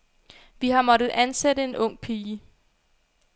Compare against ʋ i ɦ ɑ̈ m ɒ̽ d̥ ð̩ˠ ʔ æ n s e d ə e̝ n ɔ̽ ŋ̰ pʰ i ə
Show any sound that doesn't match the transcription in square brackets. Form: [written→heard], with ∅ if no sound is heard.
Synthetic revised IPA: ʋ i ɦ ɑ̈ m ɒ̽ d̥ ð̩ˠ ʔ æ n s e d ə e̝ n ɔ̽ ŋ̰ pʰ [i→iː] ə